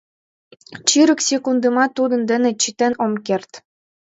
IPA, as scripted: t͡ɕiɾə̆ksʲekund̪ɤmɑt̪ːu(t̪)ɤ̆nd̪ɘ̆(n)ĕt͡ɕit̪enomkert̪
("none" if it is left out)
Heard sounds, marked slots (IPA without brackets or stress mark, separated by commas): d̪, n